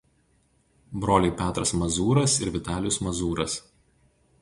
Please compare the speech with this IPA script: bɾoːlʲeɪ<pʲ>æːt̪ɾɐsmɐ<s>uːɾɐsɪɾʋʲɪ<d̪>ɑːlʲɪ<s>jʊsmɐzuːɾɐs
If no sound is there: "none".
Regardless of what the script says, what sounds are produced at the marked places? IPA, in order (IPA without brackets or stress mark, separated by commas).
pʲ, z, t̪, none